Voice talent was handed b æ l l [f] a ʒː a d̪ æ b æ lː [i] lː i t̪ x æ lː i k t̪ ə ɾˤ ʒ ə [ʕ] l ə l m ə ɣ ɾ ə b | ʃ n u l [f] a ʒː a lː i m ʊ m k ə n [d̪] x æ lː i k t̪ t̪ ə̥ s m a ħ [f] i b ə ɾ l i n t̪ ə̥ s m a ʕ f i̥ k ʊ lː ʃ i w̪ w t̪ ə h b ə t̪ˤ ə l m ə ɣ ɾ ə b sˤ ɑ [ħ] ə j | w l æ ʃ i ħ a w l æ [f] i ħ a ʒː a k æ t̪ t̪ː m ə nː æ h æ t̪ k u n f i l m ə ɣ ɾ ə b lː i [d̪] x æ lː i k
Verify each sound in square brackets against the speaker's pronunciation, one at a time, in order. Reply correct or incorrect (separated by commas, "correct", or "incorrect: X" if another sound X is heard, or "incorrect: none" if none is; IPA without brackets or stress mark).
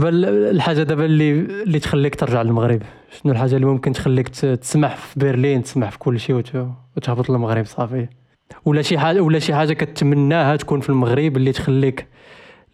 incorrect: ħ, correct, correct, incorrect: ħ, incorrect: t̪, correct, incorrect: f, incorrect: ʃ, incorrect: t̪